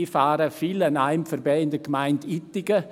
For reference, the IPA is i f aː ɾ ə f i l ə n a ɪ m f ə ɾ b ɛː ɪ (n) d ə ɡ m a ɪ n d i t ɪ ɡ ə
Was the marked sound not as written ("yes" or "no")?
no